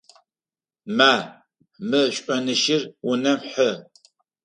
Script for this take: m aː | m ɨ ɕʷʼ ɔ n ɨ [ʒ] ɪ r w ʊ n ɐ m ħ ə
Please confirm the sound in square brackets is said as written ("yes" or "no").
no